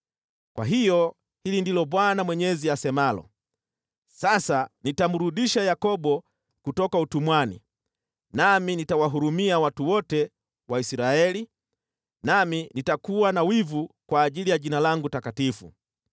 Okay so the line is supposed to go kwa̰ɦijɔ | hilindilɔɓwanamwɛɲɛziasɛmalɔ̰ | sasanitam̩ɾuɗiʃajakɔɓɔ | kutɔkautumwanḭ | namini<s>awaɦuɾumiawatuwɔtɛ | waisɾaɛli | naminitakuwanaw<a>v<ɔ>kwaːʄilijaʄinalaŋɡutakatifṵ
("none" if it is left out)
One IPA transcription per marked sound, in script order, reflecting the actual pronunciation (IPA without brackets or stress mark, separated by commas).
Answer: t, i, u